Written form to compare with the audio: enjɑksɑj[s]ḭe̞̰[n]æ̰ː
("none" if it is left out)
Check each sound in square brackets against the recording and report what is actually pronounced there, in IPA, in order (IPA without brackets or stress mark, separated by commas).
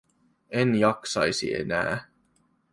s, n